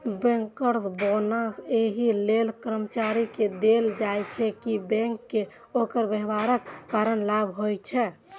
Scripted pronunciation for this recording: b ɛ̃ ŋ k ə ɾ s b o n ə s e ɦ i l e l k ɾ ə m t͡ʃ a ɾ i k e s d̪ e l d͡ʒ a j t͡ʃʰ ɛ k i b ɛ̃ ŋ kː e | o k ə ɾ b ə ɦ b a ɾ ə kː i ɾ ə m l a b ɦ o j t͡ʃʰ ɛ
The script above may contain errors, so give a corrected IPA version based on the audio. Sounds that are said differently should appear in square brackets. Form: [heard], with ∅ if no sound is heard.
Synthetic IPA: b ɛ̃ ŋ k ə ɾ s b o n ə s e ɦ i l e l k ɾ ə m t͡ʃ a ɾ i k e [∅] d̪ e l d͡ʒ a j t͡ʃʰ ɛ k i b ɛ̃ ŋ kː e | o k ə ɾ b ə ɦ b a ɾ ə kː [a] ɾ ə [n] l a b ɦ o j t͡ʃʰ ɛ